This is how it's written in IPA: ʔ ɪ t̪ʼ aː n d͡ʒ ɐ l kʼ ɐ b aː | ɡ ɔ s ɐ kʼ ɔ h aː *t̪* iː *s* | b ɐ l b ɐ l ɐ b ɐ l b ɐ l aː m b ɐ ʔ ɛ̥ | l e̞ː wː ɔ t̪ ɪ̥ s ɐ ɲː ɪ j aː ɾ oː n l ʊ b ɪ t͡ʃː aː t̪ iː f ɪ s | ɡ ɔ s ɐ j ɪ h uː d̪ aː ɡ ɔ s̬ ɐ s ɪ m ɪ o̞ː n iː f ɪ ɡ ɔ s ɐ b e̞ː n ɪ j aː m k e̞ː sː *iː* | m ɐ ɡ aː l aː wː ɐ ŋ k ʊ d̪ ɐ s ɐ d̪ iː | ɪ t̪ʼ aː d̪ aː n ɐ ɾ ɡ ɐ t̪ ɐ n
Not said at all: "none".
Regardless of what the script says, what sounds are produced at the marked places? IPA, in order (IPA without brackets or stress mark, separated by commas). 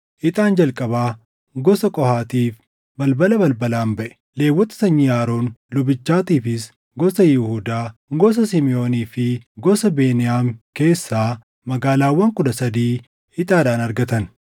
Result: t̪, f, aː